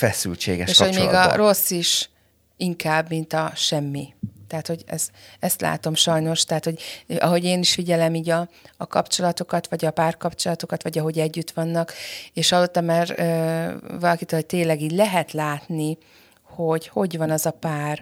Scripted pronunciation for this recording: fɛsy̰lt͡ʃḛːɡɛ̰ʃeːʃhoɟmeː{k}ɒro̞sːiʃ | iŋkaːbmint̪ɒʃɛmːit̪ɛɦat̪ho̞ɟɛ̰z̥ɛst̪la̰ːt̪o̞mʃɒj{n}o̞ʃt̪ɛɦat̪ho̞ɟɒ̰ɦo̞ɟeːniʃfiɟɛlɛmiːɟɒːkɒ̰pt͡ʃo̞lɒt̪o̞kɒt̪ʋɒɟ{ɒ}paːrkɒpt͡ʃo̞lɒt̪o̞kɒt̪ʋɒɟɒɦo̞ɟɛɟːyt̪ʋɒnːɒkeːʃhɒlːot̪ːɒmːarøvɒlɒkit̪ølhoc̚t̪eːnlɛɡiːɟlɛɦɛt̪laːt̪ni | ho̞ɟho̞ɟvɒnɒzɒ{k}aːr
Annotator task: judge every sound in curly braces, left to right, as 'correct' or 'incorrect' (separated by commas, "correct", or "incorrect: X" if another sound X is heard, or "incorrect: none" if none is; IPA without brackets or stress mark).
incorrect: ɡ, correct, correct, incorrect: p